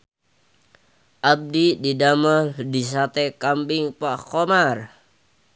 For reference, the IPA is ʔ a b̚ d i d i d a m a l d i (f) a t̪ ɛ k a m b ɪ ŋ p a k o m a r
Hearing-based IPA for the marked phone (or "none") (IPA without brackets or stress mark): s